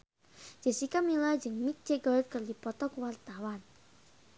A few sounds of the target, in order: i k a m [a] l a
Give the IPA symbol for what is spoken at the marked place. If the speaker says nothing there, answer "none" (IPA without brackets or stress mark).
i